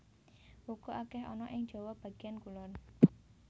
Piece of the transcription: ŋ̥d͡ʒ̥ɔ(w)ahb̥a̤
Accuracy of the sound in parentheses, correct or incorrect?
correct